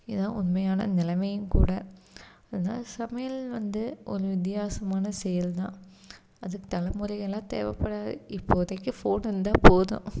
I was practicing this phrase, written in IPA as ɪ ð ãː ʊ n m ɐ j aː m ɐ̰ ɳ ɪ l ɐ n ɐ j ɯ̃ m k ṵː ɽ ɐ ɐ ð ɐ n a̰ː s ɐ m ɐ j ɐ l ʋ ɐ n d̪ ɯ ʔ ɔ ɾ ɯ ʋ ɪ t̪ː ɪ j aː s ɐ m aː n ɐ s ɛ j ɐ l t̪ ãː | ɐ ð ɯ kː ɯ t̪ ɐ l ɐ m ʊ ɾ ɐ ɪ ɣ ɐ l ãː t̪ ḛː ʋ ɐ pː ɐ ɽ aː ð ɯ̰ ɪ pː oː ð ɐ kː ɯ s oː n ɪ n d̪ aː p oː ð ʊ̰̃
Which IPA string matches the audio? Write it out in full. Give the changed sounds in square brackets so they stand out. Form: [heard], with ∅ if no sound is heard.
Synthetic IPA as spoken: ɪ ð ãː ʊ n m ɐ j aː [n] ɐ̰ [n] ɪ l ɐ [m] ɐ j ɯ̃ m k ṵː ɽ ɐ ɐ ð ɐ n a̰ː s ɐ m ɐ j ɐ l ʋ ɐ n d̪ ɯ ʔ ɔ ɾ ɯ ʋ ɪ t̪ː ɪ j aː s ɐ m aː n ɐ s ɛ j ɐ l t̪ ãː | ɐ ð ɯ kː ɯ t̪ ɐ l ɐ m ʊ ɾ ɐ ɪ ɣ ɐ l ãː t̪ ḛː ʋ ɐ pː ɐ ɽ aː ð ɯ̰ ɪ pː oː ð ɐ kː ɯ [f] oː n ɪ n d̪ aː p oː ð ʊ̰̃

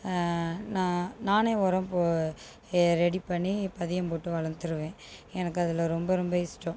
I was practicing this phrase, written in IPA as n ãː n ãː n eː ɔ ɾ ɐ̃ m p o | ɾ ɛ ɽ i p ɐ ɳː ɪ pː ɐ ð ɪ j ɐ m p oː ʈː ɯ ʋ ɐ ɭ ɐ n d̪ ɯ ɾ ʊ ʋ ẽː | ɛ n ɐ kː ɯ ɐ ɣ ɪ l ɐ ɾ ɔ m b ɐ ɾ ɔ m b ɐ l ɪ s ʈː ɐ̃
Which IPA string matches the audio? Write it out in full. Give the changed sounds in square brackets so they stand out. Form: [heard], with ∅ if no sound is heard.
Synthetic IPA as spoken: n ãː n [aː] n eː ɔ ɾ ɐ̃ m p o | ɾ ɛ ɽ i p ɐ ɳː [i] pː ɐ ð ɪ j ɐ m p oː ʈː ɯ ʋ ɐ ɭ ɐ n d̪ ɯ ɾ [ɯ] ʋ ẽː | ɛ n ɐ kː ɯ ɐ [ð] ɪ l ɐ ɾ ɔ m b ɐ ɾ ɔ m b ɐ [∅] ɪ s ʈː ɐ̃

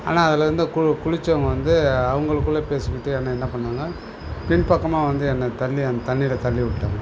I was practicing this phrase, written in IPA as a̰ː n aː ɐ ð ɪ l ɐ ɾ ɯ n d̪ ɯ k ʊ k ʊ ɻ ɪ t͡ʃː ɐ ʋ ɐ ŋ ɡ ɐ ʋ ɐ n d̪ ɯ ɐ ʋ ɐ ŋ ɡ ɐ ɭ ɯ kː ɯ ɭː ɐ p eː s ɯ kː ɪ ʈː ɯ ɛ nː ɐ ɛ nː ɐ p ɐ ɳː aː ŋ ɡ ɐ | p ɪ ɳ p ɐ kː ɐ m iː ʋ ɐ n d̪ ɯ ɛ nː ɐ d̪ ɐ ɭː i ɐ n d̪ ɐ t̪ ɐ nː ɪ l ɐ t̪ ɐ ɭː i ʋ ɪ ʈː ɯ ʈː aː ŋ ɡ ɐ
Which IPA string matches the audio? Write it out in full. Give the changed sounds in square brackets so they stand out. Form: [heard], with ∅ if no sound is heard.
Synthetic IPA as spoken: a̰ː n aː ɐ ð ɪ l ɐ ɾ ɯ n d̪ ɯ k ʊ k ʊ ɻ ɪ t͡ʃː ɐ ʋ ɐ ŋ ɡ ɐ ʋ ɐ n d̪ ɯ ɐ ʋ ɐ ŋ ɡ ɐ ɭ ɯ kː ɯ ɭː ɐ p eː s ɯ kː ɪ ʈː ɯ ɛ nː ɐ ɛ nː ɐ p ɐ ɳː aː ŋ ɡ ɐ | p ɪ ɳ p ɐ kː ɐ m [aː] ʋ ɐ n d̪ ɯ ɛ nː ɐ [t̪] ɐ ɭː i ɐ n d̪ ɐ t̪ ɐ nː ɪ l ɐ t̪ ɐ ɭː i ʋ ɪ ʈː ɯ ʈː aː ŋ ɡ ɐ

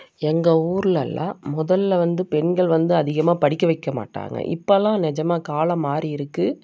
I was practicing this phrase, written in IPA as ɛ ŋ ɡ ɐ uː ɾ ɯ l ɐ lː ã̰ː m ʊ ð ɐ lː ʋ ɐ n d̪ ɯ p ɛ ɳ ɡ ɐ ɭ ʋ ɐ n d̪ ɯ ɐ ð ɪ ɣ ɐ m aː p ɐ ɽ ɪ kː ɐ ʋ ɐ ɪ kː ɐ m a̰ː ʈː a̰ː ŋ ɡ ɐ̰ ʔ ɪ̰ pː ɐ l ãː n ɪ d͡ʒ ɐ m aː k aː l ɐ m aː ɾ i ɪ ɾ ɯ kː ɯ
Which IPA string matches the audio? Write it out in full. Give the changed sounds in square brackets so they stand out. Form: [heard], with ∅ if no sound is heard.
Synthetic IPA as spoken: ɛ ŋ ɡ ɐ uː ɾ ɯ l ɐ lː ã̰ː m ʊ ð ɐ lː ʋ ɐ n d̪ ɯ p ɛ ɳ ɡ ɐ ɭ ʋ ɐ n d̪ ɯ ɐ ð ɪ ɣ ɐ m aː p ɐ ɽ ɪ kː ɐ ʋ ɐ ɪ kː ɐ m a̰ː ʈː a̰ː ŋ ɡ ɐ̰ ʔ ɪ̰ pː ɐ l ãː n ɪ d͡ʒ ɐ m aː k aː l ɐ m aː ɾ i ɪ ɾ ɯ kː ɯ

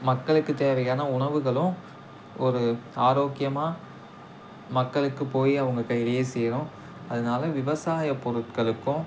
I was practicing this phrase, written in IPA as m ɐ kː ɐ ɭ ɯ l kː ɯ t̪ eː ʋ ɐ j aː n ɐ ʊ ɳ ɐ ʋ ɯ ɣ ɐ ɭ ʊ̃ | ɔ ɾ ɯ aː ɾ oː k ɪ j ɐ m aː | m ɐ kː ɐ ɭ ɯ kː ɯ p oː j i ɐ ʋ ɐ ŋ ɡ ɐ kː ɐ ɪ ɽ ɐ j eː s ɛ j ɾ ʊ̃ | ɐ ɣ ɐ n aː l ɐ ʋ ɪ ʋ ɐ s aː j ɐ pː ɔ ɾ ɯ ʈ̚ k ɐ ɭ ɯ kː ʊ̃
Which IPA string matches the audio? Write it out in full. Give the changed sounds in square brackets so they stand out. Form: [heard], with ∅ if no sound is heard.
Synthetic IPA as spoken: m ɐ kː ɐ ɭ ɯ [∅] kː ɯ t̪ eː ʋ ɐ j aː n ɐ ʊ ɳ ɐ ʋ ɯ ɣ ɐ ɭ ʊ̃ | ɔ ɾ ɯ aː ɾ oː k ɪ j ɐ m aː | m ɐ kː ɐ ɭ ɯ kː ɯ p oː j i ɐ ʋ ɐ ŋ ɡ ɐ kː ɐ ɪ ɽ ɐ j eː s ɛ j ɾ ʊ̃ | ɐ [ð] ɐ n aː l ɐ ʋ ɪ ʋ ɐ s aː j ɐ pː ɔ ɾ ɯ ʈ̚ k ɐ ɭ ɯ kː ʊ̃

